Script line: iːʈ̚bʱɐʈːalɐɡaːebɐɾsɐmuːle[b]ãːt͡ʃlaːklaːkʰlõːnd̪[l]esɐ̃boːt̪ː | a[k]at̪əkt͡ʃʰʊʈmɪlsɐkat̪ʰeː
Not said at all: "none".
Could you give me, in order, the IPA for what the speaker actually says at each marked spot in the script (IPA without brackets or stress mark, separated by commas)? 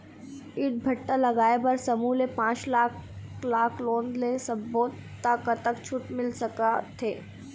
p, l, k